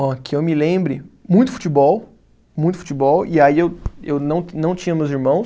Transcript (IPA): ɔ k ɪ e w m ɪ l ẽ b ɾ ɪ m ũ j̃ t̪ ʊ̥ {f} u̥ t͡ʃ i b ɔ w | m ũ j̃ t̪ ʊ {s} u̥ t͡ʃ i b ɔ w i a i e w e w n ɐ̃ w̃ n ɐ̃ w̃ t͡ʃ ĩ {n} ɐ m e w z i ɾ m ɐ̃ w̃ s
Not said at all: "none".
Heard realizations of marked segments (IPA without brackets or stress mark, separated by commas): f, f, ɲ